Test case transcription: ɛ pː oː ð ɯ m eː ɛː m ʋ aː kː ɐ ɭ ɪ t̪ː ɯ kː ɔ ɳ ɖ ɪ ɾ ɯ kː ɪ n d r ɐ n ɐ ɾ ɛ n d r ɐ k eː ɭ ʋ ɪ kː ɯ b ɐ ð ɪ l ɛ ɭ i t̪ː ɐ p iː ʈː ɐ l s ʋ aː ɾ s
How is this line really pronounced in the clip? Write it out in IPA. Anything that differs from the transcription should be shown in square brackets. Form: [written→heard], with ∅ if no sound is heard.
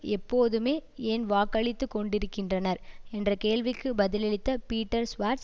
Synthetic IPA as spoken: ɛ pː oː ð ɯ m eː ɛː [m→n] ʋ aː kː ɐ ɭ ɪ t̪ː ɯ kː ɔ ɳ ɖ ɪ ɾ ɯ kː ɪ n d r ɐ n ɐ ɾ ɛ n d r ɐ k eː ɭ ʋ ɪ kː ɯ b ɐ ð ɪ l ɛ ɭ [i→ɪ] t̪ː ɐ p iː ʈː ɐ [l→ɾ] s ʋ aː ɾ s